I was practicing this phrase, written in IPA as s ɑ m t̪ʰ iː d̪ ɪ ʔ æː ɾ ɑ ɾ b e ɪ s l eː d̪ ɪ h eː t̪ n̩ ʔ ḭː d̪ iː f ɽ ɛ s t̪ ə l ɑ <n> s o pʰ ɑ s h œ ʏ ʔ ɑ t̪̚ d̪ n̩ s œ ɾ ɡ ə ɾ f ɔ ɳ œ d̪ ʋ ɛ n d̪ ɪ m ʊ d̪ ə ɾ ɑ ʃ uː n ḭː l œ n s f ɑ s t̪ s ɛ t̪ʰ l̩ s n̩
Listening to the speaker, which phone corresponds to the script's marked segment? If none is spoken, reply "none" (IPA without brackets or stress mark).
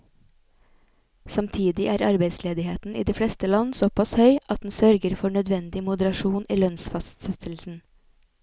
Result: n